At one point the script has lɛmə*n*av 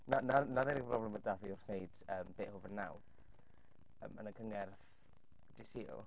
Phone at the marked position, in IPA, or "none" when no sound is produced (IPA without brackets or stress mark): d